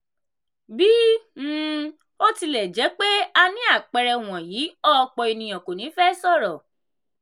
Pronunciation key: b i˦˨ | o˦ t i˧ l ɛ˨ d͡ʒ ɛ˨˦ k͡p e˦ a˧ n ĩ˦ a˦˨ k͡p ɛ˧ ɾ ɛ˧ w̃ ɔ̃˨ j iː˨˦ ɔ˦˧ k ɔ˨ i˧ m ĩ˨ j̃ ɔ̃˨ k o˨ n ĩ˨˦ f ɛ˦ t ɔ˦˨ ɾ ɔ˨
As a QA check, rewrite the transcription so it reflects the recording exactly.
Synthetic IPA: b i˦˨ | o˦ t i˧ l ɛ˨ d͡ʒ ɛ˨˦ k͡p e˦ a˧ n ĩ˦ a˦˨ k͡p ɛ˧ ɾ ɛ˧ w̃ ɔ̃˨ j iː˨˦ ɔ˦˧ k͡p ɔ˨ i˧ n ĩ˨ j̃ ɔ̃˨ k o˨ n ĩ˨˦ f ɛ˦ s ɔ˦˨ ɾ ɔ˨